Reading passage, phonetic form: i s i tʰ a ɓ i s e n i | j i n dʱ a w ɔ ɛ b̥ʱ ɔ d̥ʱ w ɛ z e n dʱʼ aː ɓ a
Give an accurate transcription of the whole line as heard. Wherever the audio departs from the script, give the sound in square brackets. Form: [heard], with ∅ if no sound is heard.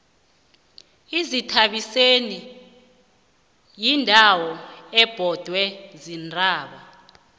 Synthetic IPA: i [z] i tʰ a ɓ i s e n i | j i n dʱ a w ɔ ɛ b̥ʱ ɔ d̥ʱ w ɛ z [i] n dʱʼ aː ɓ a